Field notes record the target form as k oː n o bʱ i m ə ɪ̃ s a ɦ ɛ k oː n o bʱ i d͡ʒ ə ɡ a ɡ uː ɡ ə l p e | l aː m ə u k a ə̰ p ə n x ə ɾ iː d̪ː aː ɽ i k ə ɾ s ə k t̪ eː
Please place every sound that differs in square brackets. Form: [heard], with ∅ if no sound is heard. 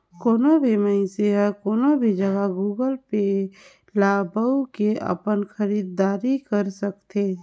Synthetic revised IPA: k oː n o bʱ i m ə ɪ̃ s [e] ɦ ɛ k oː n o bʱ i d͡ʒ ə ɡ a ɡ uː ɡ ə l p e | l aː [b] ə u k [e] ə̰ p ə n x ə ɾ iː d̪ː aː [ɾ] i k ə ɾ s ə k t̪ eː